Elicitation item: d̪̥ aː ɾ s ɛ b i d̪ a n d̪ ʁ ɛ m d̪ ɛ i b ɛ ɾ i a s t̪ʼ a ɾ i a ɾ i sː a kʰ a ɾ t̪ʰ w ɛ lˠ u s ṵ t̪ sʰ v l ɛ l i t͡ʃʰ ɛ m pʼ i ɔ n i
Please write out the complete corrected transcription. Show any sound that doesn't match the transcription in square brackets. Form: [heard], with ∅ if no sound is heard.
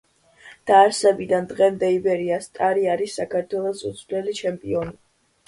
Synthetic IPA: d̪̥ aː ɾ s ɛ b i d̪ a n d̪ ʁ ɛ m d̪ ɛ i b ɛ ɾ i a s t̪ʼ a ɾ i a ɾ i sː a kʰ a ɾ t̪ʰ w ɛ lˠ [ɔ] s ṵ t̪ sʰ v l ɛ l i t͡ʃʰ ɛ m pʼ i ɔ n i